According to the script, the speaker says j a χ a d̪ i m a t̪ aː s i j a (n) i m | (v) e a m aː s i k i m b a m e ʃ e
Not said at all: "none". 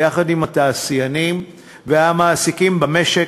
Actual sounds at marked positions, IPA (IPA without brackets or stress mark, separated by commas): n, v